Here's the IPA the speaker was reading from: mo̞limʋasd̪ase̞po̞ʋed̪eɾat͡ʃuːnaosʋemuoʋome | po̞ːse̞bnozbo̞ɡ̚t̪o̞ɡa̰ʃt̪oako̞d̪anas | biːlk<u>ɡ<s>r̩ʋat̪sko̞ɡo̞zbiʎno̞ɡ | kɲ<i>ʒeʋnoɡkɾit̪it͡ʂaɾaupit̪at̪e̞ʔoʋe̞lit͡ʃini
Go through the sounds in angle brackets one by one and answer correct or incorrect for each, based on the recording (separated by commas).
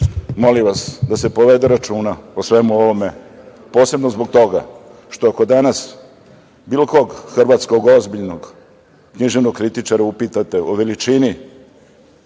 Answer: incorrect, incorrect, correct